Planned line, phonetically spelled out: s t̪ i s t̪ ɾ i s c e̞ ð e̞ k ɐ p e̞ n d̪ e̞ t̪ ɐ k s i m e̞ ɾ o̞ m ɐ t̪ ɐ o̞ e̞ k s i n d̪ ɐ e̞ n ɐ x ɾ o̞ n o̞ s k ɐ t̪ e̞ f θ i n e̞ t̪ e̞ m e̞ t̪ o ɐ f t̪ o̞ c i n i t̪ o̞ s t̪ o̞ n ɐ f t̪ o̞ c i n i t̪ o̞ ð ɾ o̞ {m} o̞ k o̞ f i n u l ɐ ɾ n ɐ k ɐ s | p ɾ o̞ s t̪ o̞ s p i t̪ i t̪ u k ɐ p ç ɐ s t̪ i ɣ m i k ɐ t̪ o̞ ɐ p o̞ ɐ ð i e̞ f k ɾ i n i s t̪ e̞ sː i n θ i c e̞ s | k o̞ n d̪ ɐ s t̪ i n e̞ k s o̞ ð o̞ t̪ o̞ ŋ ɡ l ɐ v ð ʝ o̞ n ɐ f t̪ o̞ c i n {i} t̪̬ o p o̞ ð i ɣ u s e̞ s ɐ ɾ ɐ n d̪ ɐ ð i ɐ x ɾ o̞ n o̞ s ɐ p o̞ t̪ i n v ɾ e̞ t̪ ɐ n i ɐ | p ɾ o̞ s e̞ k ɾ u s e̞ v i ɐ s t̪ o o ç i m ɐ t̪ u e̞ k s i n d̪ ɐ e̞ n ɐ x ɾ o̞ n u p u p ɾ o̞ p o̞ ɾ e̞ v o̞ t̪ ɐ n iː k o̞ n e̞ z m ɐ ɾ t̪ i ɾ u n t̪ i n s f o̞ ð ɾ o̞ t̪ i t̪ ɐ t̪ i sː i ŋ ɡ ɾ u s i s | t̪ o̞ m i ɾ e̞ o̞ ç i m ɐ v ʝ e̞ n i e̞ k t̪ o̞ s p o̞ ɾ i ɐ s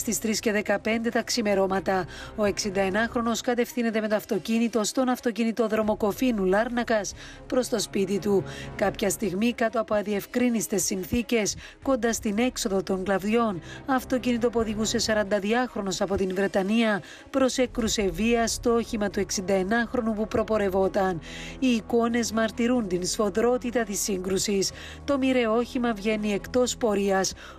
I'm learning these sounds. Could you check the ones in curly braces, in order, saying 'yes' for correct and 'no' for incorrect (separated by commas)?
yes, yes